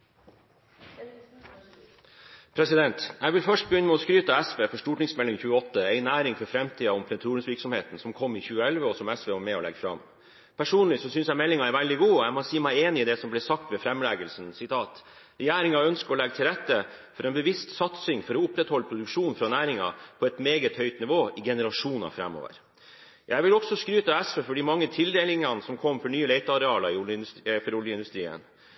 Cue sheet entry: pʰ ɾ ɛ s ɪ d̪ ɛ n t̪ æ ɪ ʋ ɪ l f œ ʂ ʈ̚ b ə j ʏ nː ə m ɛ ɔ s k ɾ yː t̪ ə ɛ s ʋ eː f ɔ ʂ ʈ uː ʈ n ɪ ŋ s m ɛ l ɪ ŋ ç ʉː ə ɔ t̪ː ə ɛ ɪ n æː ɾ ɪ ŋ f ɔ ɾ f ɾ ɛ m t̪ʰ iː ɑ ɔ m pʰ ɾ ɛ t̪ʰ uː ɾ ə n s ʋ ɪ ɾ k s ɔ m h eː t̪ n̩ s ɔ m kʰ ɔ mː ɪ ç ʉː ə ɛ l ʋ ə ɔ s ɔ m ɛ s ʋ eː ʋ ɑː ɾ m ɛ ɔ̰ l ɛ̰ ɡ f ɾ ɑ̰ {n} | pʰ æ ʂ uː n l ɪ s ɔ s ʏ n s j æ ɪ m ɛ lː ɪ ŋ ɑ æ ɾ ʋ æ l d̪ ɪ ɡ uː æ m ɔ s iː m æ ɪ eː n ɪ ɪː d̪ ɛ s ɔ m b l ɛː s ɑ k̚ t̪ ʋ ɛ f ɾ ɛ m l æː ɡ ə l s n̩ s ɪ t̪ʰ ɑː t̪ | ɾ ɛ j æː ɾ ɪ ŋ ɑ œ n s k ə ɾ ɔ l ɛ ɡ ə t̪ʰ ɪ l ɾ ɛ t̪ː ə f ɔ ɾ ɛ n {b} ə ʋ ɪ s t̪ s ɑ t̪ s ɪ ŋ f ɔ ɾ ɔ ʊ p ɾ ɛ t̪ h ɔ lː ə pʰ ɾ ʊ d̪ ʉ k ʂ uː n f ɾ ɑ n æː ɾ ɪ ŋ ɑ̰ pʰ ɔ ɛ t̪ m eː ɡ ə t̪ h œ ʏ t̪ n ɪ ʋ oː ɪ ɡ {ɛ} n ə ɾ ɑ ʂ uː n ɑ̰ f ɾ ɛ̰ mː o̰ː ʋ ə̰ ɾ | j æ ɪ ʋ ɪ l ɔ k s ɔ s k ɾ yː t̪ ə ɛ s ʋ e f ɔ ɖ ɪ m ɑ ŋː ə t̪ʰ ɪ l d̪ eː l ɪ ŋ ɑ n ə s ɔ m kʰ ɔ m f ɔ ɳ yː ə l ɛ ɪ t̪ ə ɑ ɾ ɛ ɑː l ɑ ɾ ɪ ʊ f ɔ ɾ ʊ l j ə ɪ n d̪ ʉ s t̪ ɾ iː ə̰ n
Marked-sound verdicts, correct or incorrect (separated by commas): incorrect, correct, correct